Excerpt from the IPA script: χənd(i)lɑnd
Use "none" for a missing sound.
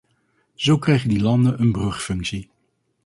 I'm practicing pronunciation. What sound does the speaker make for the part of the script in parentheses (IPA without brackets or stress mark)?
i